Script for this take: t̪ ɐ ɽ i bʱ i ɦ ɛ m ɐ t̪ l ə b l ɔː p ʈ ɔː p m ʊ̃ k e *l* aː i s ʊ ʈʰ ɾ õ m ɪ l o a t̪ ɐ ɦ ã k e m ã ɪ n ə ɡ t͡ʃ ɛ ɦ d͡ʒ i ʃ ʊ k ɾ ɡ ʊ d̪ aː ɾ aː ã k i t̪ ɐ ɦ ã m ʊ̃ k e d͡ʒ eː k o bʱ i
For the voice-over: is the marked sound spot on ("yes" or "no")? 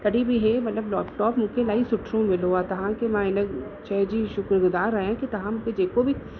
yes